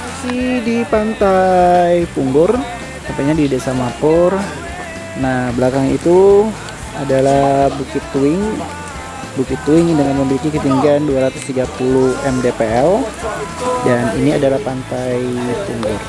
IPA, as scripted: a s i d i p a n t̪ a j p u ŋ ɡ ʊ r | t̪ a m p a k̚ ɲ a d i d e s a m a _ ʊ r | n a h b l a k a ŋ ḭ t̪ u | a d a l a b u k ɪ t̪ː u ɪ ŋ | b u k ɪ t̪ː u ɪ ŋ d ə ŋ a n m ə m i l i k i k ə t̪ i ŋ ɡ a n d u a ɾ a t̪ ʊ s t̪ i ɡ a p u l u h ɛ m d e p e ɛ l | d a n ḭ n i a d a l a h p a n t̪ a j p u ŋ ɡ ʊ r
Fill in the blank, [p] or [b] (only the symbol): p